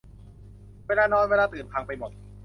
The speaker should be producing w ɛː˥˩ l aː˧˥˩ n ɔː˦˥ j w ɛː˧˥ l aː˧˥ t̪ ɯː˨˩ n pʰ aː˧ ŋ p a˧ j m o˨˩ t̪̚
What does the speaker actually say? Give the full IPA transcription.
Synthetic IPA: w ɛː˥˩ l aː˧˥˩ n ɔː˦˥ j w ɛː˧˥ l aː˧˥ t̪ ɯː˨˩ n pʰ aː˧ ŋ p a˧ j m o˨˩ t̪̚